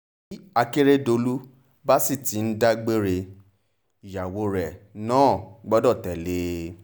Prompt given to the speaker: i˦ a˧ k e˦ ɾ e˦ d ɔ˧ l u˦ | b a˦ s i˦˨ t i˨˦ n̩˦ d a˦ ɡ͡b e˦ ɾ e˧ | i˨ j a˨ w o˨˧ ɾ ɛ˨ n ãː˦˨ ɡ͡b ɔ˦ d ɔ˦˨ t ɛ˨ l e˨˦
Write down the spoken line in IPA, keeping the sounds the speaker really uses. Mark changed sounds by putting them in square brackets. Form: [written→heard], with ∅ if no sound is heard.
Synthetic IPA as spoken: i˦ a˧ k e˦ ɾ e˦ d [ɔ˧→o˧] l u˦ | b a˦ s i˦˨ t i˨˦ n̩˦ d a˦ ɡ͡b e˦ ɾ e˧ | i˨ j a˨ w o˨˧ ɾ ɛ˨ n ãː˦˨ ɡ͡b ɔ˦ d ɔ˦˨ t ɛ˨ l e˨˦

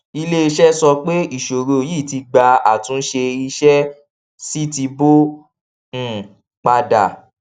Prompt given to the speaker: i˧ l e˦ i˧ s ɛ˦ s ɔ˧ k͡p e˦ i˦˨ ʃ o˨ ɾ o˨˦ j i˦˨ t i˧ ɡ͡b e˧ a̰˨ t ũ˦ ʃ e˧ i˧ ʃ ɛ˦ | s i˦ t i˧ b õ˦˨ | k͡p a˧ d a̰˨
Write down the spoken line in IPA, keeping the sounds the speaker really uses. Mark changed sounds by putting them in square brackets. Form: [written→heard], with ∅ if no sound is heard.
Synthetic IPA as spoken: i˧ l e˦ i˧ [s→ʃ] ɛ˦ s ɔ˧ k͡p e˦ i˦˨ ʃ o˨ ɾ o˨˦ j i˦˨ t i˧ ɡ͡b [e˧→a˧] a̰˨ t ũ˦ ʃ e˧ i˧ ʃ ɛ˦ | s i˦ t i˧ b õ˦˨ | k͡p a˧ d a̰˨

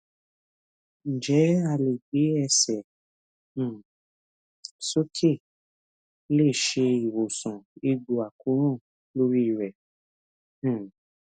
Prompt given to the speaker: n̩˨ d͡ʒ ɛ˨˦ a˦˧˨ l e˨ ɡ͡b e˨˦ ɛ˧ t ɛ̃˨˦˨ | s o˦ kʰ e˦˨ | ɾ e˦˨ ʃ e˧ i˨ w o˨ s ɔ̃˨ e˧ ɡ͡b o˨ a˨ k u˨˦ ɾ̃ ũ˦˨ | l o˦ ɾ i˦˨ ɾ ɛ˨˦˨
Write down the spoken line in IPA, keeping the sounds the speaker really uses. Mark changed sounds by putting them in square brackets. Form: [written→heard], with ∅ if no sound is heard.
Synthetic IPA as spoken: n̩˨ d͡ʒ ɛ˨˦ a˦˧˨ l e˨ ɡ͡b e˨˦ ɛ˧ [t→s] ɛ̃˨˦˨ | s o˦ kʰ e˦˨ | [ɾ→l] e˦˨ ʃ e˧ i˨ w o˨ s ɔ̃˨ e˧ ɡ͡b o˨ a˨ k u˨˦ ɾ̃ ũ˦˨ | l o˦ ɾ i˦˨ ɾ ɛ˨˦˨

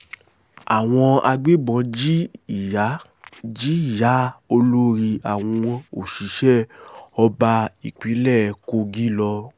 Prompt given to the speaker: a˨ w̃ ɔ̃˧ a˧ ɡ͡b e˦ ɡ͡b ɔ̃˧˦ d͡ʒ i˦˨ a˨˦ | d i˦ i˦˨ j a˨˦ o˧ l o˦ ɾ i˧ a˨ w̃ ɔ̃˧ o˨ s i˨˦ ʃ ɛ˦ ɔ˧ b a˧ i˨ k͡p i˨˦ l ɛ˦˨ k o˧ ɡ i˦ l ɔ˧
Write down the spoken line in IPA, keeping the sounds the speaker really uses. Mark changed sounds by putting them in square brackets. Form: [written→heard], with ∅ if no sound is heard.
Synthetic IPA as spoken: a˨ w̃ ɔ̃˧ a˧ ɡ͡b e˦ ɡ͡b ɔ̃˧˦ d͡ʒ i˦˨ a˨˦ | [d→d͡ʒ] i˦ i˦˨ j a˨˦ o˧ l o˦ ɾ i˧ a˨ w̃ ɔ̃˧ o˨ [s→ʃ] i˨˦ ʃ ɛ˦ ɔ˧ b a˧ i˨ k͡p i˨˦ l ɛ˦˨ k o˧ ɡ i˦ l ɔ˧

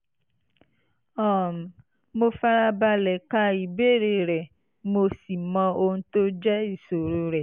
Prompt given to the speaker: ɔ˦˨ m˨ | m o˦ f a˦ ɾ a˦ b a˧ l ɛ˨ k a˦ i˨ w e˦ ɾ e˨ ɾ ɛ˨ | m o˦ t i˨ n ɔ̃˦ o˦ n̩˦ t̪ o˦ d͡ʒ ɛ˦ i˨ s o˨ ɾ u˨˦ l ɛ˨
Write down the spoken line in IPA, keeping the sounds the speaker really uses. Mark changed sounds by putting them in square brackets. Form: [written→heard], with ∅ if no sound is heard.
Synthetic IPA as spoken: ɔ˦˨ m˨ | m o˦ f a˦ ɾ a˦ b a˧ l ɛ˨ k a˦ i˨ [w→b] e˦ ɾ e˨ ɾ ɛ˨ | m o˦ [t→s] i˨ [n→m] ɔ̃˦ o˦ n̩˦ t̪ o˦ d͡ʒ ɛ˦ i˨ s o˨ ɾ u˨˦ [l→ɾ] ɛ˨

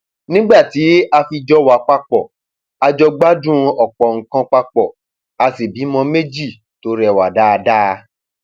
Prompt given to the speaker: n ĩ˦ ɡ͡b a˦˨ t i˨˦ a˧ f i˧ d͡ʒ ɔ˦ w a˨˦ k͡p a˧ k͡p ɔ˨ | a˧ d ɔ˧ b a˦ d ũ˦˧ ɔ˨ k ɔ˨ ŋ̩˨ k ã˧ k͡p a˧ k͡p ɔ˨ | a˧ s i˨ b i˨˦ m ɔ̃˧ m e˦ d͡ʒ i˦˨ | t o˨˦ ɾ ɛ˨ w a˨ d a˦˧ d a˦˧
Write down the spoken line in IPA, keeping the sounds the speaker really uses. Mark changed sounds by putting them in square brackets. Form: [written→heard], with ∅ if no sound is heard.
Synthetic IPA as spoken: n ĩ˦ ɡ͡b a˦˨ t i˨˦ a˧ f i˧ d͡ʒ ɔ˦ w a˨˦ k͡p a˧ k͡p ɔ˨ | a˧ [d→d͡ʒ] ɔ˧ [b→ɡ͡b] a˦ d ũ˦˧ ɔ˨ [k→k͡p] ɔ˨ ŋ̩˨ k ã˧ k͡p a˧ k͡p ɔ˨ | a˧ s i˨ b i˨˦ m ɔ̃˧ m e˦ d͡ʒ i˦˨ | t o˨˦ ɾ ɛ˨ w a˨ d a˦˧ d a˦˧

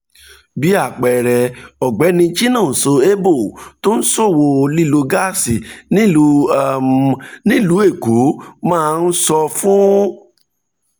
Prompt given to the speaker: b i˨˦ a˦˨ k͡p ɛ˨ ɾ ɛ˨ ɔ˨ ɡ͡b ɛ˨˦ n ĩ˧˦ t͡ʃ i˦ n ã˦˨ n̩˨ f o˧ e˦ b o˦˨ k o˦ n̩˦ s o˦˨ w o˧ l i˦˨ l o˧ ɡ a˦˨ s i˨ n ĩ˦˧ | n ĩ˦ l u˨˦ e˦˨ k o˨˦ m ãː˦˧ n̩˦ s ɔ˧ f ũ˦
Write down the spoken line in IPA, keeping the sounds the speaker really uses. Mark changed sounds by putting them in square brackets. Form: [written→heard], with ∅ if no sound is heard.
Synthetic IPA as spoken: b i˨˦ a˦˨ k͡p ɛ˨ ɾ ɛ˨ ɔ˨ ɡ͡b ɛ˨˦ n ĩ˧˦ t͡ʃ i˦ n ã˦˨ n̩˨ [f→s] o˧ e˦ b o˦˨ [k→t] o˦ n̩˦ s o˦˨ w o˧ l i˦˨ l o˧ ɡ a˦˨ s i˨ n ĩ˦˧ | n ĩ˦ l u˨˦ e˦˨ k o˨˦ m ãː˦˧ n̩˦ s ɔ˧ f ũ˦

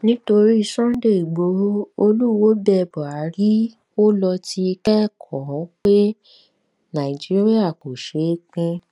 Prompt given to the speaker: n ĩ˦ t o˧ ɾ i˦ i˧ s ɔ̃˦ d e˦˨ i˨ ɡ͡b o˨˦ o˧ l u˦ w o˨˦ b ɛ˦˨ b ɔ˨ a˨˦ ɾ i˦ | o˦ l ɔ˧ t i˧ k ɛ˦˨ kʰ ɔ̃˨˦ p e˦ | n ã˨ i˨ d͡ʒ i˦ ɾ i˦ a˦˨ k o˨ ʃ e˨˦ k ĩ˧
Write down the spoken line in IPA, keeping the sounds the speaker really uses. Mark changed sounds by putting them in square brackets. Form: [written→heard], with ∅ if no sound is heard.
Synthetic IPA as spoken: n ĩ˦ t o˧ ɾ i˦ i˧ s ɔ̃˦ d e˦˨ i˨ ɡ͡b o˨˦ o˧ l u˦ w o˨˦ b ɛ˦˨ b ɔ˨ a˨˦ ɾ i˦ | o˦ l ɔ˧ t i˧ k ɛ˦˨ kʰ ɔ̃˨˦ [p→k͡p] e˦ | n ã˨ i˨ d͡ʒ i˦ ɾ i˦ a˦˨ k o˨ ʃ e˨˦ [k→k͡p] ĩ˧

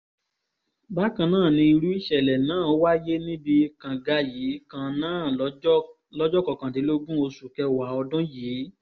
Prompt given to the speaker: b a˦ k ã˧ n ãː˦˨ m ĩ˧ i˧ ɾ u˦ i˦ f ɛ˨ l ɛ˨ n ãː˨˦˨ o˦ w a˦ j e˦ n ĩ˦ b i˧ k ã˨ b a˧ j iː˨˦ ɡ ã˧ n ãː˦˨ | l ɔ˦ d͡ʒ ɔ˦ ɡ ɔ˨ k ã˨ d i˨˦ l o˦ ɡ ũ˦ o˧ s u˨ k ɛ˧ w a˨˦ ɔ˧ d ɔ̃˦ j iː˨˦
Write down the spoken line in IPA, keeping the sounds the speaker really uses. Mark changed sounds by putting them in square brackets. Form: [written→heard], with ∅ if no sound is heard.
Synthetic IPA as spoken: b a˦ k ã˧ n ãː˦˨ [m→n] ĩ˧ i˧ ɾ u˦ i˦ [f→ʃ] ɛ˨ l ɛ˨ n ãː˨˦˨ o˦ w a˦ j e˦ n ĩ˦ b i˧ k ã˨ [b→ɡ] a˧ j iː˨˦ [ɡ→k] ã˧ n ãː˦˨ | l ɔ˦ d͡ʒ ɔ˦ [ɡ→k] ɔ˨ k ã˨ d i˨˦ l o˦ ɡ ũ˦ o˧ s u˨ k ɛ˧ w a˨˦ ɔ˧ d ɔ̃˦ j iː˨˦

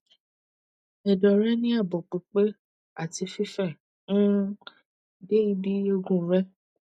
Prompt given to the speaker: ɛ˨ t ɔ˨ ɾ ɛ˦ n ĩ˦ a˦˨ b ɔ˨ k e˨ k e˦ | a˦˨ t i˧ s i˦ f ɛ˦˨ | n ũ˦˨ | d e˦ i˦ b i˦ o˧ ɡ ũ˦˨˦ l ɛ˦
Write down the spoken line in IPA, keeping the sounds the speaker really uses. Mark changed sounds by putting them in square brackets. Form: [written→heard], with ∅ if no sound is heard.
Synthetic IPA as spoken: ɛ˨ [t→d] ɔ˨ ɾ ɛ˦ n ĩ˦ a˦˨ b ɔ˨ [k→k͡p] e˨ [k→k͡p] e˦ | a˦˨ t i˧ [s→f] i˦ f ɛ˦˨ | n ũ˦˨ | d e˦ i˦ b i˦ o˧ ɡ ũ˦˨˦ [l→ɾ] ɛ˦

